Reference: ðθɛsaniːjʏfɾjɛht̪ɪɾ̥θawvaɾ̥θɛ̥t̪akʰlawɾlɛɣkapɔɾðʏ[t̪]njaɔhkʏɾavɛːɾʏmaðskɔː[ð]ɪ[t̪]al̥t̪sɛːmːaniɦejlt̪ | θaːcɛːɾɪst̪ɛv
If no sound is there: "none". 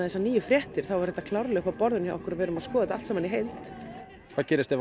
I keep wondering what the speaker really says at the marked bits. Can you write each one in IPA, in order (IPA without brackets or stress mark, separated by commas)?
none, ð, t̪